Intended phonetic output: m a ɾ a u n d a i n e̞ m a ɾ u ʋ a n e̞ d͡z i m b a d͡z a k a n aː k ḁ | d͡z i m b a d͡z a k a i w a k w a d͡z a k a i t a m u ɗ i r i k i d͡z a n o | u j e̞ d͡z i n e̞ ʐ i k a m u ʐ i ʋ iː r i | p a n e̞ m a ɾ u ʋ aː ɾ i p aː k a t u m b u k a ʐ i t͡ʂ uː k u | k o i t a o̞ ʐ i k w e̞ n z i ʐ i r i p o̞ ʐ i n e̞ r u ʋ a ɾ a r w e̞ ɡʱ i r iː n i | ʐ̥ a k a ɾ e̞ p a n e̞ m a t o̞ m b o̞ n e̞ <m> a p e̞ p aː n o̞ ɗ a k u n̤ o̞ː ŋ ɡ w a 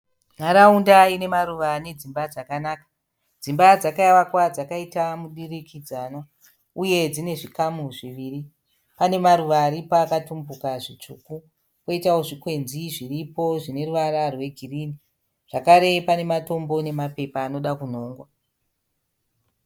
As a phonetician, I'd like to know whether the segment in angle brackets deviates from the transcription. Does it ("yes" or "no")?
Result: no